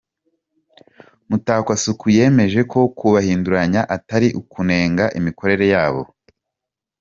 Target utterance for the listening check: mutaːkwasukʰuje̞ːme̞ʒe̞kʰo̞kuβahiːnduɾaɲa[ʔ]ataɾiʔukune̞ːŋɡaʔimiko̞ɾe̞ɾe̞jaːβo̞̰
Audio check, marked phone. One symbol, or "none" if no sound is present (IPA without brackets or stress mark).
ʔ